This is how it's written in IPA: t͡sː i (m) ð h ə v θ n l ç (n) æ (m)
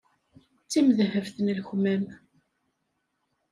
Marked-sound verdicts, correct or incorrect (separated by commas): correct, incorrect, correct